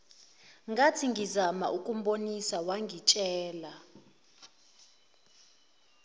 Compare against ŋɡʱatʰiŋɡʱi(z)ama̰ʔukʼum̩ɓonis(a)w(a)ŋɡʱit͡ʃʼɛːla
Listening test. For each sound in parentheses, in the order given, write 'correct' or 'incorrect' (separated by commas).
correct, correct, correct